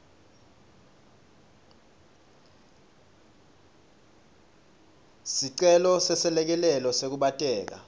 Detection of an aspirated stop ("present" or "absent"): absent